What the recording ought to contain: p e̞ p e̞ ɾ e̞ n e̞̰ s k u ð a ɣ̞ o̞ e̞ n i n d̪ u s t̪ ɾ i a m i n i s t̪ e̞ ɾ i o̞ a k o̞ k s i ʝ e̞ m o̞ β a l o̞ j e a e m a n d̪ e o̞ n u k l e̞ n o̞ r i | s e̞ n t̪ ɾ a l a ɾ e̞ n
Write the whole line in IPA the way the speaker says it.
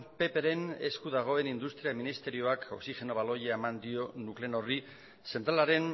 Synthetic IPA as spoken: p e̞ p e̞ ɾ e̞ n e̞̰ s k u ð a ɣ̞ o̞ e̞ n i n d̪ u s t̪ ɾ i a m i n i s t̪ e̞ ɾ i o̞ a k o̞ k s i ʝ e̞ n o̞ β a l o̞ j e a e m a n d̪ i o̞ n u k l e̞ n o̞ r i | s e̞ n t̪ ɾ a l a ɾ e̞ n

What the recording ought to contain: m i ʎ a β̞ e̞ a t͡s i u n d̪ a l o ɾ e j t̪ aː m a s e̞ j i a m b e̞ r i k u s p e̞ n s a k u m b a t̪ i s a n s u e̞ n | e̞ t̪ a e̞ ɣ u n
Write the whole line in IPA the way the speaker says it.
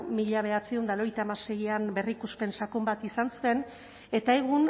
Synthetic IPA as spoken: m i ʎ a β̞ e̞ a t͡s i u n d̪ a l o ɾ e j t̪ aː m a s e̞ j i a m b e̞ r i k u s p e̞ n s a k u m b a t̪ i s a n s u e̞ n | e̞ t̪ a e̞ ɣ u n

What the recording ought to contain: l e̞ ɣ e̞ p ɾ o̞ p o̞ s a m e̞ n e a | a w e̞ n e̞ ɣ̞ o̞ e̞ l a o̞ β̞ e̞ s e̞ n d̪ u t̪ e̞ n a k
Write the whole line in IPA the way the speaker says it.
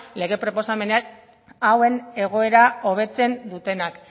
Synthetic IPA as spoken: l e̞ ɣ e̞ p ɾ o̞ p o̞ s a m e̞ n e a | a w e̞ n e̞ ɣ̞ o̞ e̞ ɾ a o̞ β̞ e̞ t͡s e̞ n d̪ u t̪ e̞ n a k

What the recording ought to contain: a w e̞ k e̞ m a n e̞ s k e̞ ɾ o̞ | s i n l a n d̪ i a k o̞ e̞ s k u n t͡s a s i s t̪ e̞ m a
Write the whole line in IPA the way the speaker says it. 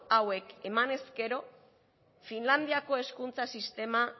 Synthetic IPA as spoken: a w e̞ k e̞ m a n e̞ s k e̞ ɾ o̞ | f i n l a n d̪ i a k o̞ e̞ s k u n t͡s a s i s t̪ e̞ m a

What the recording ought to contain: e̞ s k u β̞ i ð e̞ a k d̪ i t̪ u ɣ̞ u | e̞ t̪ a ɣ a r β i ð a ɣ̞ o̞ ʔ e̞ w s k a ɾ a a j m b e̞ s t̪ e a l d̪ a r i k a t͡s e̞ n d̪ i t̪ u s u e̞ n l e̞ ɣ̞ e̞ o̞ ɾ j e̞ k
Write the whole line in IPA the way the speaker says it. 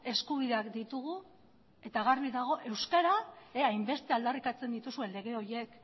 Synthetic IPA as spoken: e̞ s k u β̞ i ð e̞ a k d̪ i t̪ u ɣ̞ u | e̞ t̪ a ɣ a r β i ð a ɣ̞ o̞ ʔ e̞ w s k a ɾ a a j m b e̞ s t̪ e a l d̪ a r i k a t͡s e̞ n d̪ i t̪ u s u e̞ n l e̞ ɣ̞ e̞ o̞ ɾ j e̞ k

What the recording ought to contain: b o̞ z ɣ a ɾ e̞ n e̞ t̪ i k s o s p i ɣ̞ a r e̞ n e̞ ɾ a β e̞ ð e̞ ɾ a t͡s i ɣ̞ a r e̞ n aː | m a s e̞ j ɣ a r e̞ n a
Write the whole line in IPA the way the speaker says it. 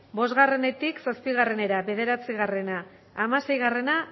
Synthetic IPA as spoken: b o̞ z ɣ a r e̞ n e̞ t̪ i k s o s p i ɣ̞ a r e̞ n e̞ ɾ a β e̞ ð e̞ ɾ a t͡s i ɣ̞ a r e̞ n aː | m a s e̞ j ɣ a r e̞ n a

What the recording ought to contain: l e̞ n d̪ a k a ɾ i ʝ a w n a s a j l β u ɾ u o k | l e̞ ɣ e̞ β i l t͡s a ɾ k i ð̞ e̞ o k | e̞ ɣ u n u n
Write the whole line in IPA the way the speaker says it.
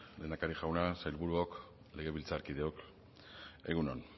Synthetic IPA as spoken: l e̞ n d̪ a k a ɾ i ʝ a w n a s a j l β u ɾ u o k | l e̞ ɣ e̞ β i l t͡s a ɾ k i ð̞ e̞ o k | e̞ ɣ u n o n

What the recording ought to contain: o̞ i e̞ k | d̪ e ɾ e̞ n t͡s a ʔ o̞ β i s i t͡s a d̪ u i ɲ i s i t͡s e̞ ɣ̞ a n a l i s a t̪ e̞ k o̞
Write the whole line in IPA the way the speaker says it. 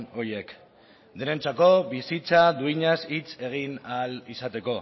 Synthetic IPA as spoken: o̞ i e̞ k | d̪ e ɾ e̞ n t͡s a k o̞ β i s i t͡s a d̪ u i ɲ a s i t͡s e̞ ɣ̞ i n a l i s a t̪ e̞ k o̞

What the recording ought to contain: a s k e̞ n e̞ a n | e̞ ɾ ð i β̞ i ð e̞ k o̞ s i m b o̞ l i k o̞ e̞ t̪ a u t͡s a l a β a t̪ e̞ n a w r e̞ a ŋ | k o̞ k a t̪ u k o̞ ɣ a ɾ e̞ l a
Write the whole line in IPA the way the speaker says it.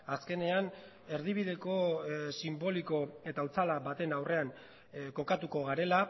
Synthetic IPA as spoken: a s k e̞ n e̞ a n | e̞ ɾ ð i β̞ i ð e̞ k o̞ s i m b o̞ l i k o̞ e̞ t̪ a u t͡s a l a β a t̪ e̞ n a w r e̞ a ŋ | k o̞ k a t̪ u k o̞ ɣ a ɾ e̞ l a

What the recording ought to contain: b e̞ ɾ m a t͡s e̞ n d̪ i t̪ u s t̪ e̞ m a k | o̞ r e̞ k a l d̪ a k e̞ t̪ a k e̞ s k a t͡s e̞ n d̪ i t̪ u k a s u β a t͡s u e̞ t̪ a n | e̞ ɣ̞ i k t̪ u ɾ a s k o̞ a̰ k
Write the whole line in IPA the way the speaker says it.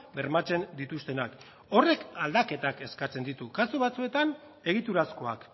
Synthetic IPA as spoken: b e̞ ɾ m a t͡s e̞ n d̪ i t̪ u s t̪ e̞ n a k | o̞ r e̞ k a l d̪ a k e̞ t̪ a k e̞ s k a t͡s e̞ n d̪ i t̪ u k a s u β a t͡s u e̞ t̪ a n | e̞ ɣ̞ i t̪ u ɾ a s k o̞ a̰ k

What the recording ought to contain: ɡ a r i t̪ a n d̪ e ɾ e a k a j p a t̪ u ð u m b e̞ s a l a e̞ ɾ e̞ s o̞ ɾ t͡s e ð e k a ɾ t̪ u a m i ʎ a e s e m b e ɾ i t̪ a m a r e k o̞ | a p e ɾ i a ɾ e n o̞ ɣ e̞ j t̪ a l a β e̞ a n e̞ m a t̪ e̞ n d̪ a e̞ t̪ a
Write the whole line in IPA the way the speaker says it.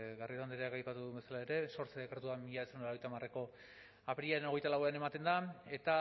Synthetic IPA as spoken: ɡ a r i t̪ a n d̪ e ɾ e a k a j p a t̪ u ð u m b e̞ s a l a e̞ ɾ e̞ s o̞ ɾ t͡s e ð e k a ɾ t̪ u a m i ʎ a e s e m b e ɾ j t̪ a m a r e k o̞ | a p e ɾ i a ɾ e n o̞ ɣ e̞ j t̪ a l a w e̞ a n e̞ m a t̪ e̞ n d̪ a e̞ t̪ a

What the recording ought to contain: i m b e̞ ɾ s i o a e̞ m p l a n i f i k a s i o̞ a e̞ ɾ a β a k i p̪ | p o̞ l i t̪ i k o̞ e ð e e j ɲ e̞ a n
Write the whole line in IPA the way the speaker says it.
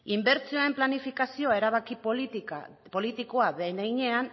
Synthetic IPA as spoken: i m b e̞ ɾ t͡s i o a e̞ m p l a n i f i k a s i o̞ a e̞ ɾ a β a k i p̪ | p o̞ l i t̪ i k o̞ a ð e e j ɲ e̞ a n

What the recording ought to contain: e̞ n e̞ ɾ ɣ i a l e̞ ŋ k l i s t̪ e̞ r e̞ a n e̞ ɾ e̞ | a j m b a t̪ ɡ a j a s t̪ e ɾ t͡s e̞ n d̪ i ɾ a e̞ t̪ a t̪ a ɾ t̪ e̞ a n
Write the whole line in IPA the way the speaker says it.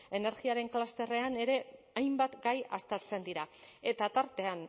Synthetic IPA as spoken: e̞ n e̞ ɾ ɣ i a ɾ e̞ ŋ k l a s t̪ e̞ r e̞ a n e̞ ɾ e̞ | a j m b a t̪ ɡ a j a s t̪ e ɾ t͡s e̞ n d̪ i ɾ a e̞ t̪ a t̪ a ɾ t̪ e̞ a n

